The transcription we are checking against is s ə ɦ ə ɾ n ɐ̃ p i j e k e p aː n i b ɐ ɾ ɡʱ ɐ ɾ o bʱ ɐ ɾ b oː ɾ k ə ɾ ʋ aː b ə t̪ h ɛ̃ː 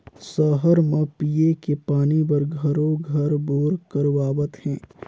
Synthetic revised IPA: s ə ɦ ə ɾ m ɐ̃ p i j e k e p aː n i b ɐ ɾ ɡʱ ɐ ɾ o ɡʱ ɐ ɾ b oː ɾ k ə ɾ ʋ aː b ə t̪ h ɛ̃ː